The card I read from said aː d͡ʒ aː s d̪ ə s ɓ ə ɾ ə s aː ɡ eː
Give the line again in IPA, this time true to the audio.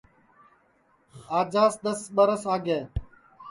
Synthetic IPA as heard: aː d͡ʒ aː s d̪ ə s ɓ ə ɾ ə s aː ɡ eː